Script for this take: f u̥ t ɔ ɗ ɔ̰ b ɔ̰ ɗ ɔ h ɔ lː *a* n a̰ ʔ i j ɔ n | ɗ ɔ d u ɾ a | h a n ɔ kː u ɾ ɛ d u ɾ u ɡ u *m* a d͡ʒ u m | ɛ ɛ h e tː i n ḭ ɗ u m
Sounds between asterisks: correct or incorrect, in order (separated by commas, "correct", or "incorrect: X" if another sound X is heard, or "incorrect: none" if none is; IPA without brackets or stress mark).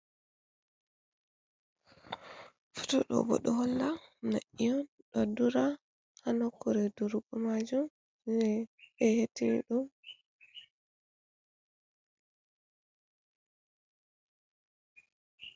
correct, correct